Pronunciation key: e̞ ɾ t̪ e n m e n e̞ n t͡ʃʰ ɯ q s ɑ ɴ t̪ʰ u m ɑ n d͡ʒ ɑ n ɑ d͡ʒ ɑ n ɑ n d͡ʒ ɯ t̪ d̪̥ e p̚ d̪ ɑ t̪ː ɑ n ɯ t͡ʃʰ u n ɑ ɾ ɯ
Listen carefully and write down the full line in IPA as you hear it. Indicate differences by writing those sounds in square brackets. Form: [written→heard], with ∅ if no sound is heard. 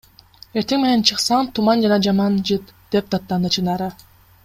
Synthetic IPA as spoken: e̞ ɾ t̪ e [n→ŋ] m e n e̞ n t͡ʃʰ ɯ q s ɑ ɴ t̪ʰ u m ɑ n d͡ʒ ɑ n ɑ d͡ʒ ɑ [n→m] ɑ n d͡ʒ ɯ t̪ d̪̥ e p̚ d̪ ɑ t̪ː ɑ n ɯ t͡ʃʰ [u→ɯ] n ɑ ɾ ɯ